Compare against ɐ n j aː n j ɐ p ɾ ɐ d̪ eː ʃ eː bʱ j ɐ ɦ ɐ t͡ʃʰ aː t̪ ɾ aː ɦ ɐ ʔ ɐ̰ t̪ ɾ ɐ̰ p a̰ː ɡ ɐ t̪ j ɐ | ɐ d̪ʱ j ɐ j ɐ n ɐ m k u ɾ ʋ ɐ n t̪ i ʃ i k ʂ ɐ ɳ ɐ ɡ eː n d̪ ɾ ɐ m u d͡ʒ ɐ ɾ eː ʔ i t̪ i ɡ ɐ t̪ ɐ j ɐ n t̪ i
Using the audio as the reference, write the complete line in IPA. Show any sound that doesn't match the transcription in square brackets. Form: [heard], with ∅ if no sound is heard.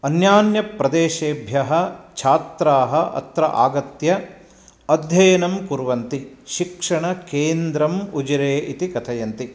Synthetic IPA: ɐ n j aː n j ɐ p ɾ ɐ d̪ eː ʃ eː bʱ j ɐ ɦ ɐ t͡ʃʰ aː t̪ ɾ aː ɦ ɐ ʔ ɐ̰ t̪ ɾ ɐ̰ [ʔ] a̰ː ɡ ɐ t̪ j ɐ | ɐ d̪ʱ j ɐ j ɐ n ɐ m k u ɾ ʋ ɐ n t̪ i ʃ i k ʂ ɐ ɳ ɐ [k] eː n d̪ ɾ ɐ m u d͡ʒ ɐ ɾ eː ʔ i t̪ i [k] ɐ [t̪ʰ] ɐ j ɐ n t̪ i